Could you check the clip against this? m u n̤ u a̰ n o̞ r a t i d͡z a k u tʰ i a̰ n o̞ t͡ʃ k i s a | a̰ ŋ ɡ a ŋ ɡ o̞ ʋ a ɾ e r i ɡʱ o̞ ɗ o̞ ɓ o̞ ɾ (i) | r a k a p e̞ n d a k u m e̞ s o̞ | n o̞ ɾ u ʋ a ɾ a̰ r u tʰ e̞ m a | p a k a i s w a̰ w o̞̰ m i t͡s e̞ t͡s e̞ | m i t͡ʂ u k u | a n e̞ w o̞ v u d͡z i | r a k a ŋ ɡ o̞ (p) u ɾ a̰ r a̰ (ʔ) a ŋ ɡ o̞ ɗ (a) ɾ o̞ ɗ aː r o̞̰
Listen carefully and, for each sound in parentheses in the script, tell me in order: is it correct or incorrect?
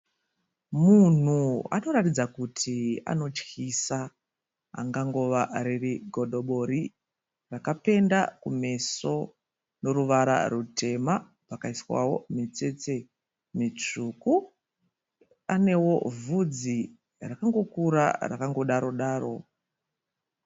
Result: correct, incorrect, incorrect, correct

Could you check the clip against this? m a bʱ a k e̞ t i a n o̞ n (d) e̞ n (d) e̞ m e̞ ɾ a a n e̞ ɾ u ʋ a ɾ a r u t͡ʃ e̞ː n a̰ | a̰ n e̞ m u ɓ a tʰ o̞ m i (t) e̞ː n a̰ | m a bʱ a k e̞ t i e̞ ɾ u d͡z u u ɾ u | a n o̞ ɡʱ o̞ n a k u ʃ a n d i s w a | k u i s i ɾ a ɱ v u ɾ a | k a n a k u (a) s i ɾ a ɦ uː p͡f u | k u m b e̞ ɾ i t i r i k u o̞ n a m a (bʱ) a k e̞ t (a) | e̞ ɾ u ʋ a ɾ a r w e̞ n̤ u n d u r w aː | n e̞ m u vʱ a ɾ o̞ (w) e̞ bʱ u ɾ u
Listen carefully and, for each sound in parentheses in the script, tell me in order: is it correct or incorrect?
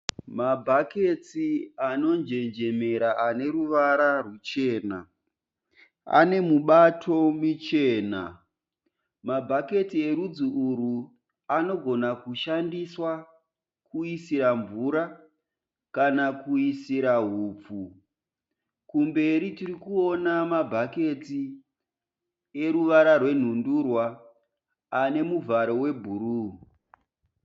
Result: incorrect, incorrect, incorrect, incorrect, correct, incorrect, correct

